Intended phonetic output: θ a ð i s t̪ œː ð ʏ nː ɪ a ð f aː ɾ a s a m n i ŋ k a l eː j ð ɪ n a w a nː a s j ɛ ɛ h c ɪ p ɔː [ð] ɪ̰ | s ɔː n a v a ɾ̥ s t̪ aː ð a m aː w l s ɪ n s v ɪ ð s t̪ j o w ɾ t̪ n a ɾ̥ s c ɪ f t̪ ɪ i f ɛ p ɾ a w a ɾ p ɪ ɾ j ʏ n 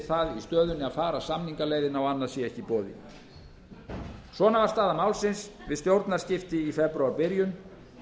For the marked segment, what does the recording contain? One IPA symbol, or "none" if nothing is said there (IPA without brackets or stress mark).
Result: ð